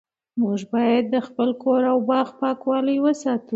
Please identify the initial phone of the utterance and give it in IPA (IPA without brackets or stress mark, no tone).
m